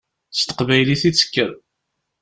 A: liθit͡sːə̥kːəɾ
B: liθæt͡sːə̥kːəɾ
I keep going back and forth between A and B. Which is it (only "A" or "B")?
A